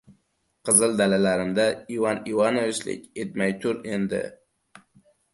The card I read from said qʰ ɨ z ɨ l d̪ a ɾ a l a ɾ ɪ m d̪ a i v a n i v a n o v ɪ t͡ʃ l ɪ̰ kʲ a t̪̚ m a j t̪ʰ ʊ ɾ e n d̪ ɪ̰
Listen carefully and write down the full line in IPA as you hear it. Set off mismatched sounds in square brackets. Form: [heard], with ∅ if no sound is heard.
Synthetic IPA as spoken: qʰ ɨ z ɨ l d̪ a [l] a l a ɾ ɪ m d̪ a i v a n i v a n o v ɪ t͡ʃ l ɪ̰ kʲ [e] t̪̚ m a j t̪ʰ ʊ ɾ e n d̪ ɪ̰

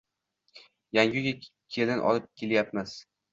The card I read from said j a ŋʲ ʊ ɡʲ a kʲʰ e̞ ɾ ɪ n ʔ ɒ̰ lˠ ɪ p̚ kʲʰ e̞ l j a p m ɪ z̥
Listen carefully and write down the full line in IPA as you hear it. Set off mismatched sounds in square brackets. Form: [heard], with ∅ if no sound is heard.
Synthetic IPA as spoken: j a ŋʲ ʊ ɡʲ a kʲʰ e̞ [l] ɪ n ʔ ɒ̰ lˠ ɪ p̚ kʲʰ e̞ l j a p m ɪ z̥

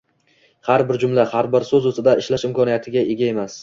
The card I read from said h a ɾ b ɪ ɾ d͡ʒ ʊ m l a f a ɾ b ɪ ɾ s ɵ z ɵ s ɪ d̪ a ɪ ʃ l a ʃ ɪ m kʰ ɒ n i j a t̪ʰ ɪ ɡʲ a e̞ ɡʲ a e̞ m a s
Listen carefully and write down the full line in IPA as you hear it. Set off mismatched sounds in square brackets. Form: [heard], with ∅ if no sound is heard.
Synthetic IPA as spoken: h a ɾ b ɪ ɾ d͡ʒ ʊ m l a [h] a ɾ b ɪ ɾ s ɵ z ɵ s ɪ d̪ a ɪ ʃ l a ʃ ɪ m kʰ ɒ n i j a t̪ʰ ɪ ɡʲ a e̞ ɡʲ a e̞ m a s

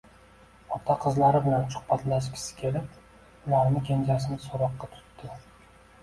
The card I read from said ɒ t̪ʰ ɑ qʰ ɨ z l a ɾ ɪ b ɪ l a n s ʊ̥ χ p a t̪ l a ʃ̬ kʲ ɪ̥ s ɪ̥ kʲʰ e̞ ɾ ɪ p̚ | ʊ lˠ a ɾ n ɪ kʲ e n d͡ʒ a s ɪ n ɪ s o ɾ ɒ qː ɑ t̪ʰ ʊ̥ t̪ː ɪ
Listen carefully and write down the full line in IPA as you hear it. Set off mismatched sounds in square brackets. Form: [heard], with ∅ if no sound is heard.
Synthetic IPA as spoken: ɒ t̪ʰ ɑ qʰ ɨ z l a ɾ ɪ b ɪ l a n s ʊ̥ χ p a t̪ l a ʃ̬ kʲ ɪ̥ s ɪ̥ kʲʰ e̞ [l] ɪ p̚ | ʊ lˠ a ɾ n ɪ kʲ e n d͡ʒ a s ɪ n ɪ s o ɾ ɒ qː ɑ t̪ʰ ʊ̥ t̪ː ɪ

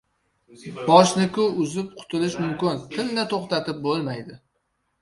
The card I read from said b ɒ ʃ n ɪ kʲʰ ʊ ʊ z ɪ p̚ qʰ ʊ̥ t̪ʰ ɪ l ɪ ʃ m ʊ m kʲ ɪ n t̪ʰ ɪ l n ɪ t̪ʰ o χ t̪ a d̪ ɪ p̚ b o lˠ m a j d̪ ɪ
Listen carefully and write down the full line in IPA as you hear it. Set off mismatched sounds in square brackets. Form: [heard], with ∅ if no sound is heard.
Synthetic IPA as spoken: b ɒ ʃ n ɪ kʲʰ ʊ ʊ z ɪ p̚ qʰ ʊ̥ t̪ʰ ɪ l ɪ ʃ m ʊ m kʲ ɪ n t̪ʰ ɪ l n ɪ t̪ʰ o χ t̪ a [t̪] ɪ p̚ b o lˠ m a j d̪ ɪ

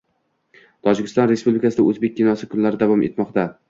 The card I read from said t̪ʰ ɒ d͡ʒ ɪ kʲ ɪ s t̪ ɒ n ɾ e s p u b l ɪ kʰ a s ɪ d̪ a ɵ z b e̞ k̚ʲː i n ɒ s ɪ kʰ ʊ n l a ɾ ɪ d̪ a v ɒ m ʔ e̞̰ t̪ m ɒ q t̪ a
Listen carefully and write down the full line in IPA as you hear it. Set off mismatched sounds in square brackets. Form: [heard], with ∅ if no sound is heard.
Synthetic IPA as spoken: t̪ʰ ɒ d͡ʒ ɪ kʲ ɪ s t̪ ɒ n ɾ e s p u b l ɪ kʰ a s ɪ d̪ a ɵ z b e̞ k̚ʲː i n ɒ s ɪ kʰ ʊ n l a ɾ ɪ d̪ a v ɒ m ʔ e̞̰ t̪ m ɒ q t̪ a

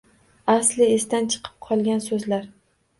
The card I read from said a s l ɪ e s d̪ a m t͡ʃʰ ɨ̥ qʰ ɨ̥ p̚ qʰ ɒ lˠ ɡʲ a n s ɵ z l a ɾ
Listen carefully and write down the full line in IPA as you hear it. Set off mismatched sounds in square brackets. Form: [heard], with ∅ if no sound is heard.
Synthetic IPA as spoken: a s l ɪ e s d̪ a [n] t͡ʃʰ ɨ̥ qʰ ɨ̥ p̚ qʰ ɒ lˠ ɡʲ a n s ɵ z l a ɾ

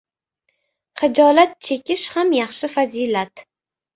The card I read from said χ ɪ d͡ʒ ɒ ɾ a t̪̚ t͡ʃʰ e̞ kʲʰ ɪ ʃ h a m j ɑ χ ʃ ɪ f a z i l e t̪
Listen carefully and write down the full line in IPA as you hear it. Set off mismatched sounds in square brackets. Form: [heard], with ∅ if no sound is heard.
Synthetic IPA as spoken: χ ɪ d͡ʒ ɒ [l] a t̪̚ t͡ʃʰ e̞ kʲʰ ɪ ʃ h a m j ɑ χ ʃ ɪ f a z i l [a] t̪

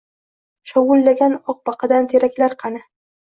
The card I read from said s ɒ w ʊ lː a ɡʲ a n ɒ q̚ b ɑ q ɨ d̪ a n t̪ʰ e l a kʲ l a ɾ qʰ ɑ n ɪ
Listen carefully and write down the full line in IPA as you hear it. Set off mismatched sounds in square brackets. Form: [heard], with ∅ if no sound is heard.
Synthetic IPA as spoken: [ʃ] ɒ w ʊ lː a ɡʲ a n ɒ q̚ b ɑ q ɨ d̪ a n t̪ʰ e [ɾ] a kʲ l a ɾ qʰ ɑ n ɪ

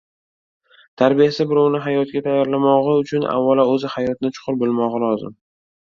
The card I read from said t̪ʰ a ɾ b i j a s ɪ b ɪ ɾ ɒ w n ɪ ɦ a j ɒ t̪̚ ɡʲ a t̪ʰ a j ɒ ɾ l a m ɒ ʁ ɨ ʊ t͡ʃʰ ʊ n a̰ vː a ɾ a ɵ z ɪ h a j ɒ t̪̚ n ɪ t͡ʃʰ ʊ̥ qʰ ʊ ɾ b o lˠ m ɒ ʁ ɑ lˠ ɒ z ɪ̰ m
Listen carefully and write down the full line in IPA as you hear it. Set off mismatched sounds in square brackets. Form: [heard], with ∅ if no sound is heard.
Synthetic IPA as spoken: t̪ʰ a ɾ b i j a s ɪ b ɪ ɾ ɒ w n ɪ ɦ a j ɒ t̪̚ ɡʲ a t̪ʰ a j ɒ ɾ l a m ɒ ʁ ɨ ʊ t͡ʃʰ ʊ n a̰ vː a [l] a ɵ z ɪ h a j ɒ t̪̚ n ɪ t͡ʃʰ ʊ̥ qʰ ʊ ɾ b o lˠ m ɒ ʁ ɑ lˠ ɒ z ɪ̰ m

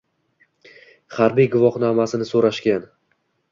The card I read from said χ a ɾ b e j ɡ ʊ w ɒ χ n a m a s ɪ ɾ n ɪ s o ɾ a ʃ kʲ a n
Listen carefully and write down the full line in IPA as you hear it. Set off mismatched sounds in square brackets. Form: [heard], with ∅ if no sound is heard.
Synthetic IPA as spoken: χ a ɾ b [i] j ɡ ʊ [v] ɒ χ n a m a s ɪ [∅] n ɪ s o ɾ a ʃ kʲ a n

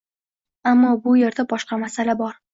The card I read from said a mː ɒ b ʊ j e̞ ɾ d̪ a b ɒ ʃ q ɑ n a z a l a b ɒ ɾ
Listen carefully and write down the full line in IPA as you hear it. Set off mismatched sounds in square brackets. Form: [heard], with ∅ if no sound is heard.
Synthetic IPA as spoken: a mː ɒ b ʊ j e̞ ɾ d̪ a b ɒ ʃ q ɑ [m] a [s] a l a b ɒ ɾ

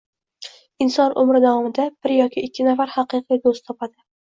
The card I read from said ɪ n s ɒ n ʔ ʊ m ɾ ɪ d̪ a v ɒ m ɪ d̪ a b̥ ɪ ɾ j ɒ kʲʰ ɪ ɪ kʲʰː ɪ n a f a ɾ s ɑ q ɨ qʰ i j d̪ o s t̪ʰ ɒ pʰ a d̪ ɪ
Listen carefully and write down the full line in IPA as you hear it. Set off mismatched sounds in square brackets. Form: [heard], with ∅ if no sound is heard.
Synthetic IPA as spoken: ɪ n s ɒ n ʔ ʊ m ɾ ɪ d̪ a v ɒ m ɪ d̪ a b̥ ɪ ɾ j ɒ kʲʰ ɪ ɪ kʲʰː ɪ n a f a ɾ [h] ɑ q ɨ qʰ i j d̪ o s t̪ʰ ɒ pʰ a d̪ ɪ

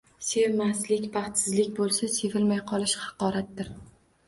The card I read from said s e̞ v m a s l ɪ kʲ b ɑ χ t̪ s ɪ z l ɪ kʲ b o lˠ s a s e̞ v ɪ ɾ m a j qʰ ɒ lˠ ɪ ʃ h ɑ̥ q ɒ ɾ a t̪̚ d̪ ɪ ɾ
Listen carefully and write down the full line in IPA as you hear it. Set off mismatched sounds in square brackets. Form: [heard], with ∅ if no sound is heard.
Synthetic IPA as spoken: s e̞ v m a s l ɪ kʲ b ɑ χ t̪ s ɪ z l ɪ kʲ b o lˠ s a s e̞ v ɪ [l] m a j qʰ ɒ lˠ ɪ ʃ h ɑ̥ q ɒ ɾ a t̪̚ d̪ ɪ ɾ

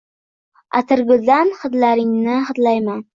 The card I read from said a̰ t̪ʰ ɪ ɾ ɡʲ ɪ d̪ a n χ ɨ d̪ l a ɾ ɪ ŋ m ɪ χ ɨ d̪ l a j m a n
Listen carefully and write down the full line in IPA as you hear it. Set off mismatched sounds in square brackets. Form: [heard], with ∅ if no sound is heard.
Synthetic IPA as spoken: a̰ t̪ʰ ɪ ɾ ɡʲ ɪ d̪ a n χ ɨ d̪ l a ɾ ɪ ŋ [n] ɪ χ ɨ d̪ l a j m a n

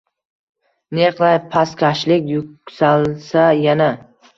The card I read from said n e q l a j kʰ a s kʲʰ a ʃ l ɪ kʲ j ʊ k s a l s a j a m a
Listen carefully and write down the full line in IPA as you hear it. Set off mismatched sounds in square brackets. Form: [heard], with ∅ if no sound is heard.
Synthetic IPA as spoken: n e q l a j [pʰ] a s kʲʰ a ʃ l ɪ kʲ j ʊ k s a l s a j a [n] a

